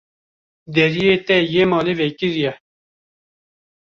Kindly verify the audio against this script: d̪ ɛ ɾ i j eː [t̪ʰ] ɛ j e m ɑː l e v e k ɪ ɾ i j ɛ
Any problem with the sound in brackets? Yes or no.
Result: yes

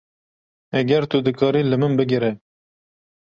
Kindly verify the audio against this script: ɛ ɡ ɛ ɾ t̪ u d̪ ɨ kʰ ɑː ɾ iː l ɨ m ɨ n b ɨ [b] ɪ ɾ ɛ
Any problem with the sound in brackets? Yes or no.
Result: yes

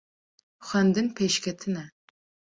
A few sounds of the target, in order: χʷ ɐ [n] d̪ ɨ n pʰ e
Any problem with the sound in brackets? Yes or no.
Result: no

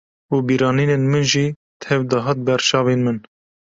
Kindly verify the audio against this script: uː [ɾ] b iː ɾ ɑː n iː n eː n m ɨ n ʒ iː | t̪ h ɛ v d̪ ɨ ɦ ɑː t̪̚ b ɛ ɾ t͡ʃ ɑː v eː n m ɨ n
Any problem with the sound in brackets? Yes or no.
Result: yes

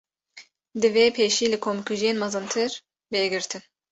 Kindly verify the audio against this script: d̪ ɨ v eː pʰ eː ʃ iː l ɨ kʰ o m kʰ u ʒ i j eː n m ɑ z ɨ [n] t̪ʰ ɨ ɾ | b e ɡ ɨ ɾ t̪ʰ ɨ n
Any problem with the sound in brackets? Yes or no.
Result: no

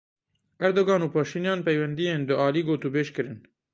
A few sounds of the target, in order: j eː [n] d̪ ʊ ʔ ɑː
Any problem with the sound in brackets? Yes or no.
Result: no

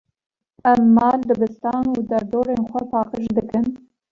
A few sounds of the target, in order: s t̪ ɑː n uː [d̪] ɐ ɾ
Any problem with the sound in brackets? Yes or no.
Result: no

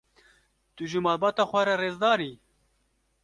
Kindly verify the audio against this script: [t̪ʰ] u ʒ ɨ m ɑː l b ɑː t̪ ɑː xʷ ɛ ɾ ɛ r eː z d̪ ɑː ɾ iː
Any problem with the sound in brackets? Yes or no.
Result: yes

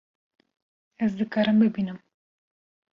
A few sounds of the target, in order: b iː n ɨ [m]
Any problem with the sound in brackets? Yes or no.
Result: no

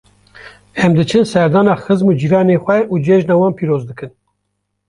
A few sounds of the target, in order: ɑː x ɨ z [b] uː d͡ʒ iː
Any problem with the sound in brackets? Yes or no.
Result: yes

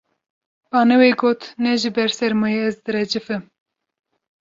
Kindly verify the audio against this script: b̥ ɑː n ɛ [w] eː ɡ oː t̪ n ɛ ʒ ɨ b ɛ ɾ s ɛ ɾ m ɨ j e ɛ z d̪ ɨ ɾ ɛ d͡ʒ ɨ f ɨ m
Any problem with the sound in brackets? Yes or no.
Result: no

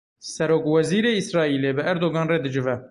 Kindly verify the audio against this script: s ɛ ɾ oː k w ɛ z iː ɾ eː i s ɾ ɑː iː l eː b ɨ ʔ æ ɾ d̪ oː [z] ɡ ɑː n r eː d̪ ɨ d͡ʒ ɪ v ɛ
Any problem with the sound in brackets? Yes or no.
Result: yes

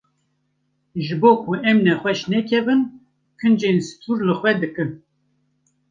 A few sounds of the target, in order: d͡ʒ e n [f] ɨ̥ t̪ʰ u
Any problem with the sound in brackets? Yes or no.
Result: yes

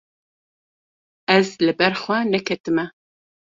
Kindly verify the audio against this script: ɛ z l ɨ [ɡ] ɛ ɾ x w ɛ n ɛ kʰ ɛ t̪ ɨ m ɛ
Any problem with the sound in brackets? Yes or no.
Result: yes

